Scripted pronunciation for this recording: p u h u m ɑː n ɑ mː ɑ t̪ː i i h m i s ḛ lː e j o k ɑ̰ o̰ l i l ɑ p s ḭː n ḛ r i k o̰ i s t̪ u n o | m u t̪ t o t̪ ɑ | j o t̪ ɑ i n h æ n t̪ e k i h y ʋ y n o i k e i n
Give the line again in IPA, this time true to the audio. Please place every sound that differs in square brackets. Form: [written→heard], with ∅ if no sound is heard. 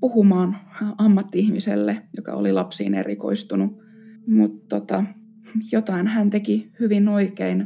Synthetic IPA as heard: p u h u m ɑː n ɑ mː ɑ t̪ː i i h m i s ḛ lː e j o k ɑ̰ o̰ l i l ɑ p s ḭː n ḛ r i k o̰ i s t̪ u n [o→u] | m u t̪ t o t̪ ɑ | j o t̪ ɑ i n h æ n t̪ e k i h y ʋ [y→i] n o i k e i n